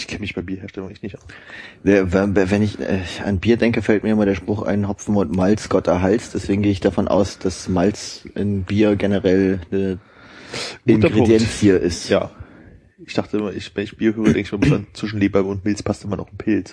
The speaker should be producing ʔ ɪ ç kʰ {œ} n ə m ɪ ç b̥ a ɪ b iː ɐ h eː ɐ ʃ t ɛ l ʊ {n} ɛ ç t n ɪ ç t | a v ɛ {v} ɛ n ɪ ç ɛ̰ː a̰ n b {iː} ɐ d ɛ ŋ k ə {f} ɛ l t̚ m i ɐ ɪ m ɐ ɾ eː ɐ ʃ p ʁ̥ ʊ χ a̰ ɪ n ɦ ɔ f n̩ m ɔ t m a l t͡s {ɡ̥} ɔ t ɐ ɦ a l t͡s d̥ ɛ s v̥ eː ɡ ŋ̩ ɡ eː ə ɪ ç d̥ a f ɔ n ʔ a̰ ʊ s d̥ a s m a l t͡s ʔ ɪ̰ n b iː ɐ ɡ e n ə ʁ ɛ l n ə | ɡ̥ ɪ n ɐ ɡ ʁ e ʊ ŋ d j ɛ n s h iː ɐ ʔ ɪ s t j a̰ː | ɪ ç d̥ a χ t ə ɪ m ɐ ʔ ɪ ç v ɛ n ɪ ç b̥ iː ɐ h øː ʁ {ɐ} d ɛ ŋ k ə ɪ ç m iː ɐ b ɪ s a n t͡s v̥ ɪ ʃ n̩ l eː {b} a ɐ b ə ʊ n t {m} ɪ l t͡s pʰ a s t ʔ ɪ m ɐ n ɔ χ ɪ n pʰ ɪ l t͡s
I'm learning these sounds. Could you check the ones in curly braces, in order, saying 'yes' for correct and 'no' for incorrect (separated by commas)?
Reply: no, no, yes, yes, yes, yes, no, yes, yes